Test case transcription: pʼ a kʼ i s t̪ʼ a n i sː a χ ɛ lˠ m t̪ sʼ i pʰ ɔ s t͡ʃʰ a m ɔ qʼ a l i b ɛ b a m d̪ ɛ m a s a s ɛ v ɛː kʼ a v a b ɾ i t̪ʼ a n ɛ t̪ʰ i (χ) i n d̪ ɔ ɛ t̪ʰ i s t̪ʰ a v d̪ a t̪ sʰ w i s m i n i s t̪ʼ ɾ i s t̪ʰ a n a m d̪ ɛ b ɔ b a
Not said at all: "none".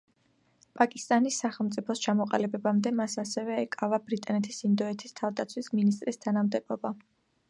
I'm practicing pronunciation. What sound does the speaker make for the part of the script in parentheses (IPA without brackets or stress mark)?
s